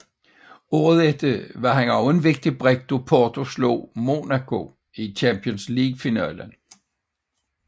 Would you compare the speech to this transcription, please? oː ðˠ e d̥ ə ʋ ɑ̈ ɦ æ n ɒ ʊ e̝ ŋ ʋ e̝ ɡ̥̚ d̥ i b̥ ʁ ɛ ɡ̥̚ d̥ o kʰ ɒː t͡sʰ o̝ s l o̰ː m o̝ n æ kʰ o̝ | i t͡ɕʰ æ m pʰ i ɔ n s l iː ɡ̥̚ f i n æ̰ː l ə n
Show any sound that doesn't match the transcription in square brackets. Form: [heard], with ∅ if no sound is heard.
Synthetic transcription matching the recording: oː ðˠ e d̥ ə ʋ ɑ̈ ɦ æ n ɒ ʊ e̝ [n] ʋ e̝ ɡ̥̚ d̥ i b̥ ʁ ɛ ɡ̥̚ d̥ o [pʰ] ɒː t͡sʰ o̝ s l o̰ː m o̝ n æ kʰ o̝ | i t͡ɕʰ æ m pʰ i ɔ n s l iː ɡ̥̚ f i n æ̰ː l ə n

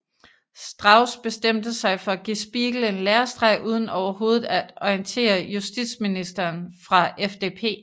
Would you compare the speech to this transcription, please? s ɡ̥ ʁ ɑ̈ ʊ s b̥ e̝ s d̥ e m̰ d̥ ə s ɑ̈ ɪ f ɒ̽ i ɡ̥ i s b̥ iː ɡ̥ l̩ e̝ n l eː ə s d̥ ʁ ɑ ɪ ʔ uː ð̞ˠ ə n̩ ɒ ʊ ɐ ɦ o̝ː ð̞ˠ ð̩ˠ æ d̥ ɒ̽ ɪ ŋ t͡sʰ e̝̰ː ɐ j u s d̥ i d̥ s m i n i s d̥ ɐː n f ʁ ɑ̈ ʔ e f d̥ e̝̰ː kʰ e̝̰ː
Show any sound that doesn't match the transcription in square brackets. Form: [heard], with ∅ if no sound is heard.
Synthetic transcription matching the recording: s [d̥] ʁ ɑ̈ ʊ s b̥ e̝ s d̥ e m̰ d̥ ə s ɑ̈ ɪ f ɒ̽ [æ] ɡ̥ i s b̥ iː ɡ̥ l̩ e̝ n l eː [ɐ] s d̥ ʁ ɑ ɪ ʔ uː ð̞ˠ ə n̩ ɒ ʊ ɐ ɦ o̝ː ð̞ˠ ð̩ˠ æ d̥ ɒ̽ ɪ [n] t͡sʰ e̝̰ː ɐ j u s d̥ i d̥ s m i n i s d̥ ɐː n f ʁ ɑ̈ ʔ e f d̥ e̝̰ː [pʰ] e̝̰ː

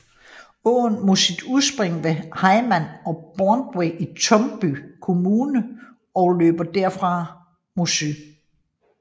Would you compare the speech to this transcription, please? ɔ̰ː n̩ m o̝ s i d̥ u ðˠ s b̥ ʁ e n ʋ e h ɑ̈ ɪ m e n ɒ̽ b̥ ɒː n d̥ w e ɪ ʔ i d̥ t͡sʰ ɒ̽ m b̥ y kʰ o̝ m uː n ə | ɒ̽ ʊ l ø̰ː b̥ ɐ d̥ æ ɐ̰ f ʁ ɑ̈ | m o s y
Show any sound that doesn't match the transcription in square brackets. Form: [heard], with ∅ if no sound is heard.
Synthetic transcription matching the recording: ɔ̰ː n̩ m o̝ s i d̥ u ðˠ s b̥ ʁ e [ŋ] ʋ e h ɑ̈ ɪ m [æ] n ɒ̽ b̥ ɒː n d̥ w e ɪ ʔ i [∅] t͡sʰ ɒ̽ m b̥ y kʰ o̝ m uː n ə | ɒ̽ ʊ l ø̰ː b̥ ɐ d̥ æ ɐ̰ f ʁ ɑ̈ | m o s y

